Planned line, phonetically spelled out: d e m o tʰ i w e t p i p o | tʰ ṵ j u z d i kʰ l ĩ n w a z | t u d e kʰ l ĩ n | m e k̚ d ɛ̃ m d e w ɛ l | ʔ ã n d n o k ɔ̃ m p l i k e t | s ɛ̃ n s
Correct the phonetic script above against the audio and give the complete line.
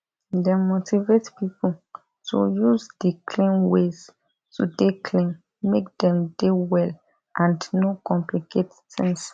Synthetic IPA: d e m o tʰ i v e t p i p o | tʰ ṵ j u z d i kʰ l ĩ n w e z | t u d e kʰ l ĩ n | m e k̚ d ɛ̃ m d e w ɛ l | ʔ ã n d n o k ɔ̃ m p l i k e t | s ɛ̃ n s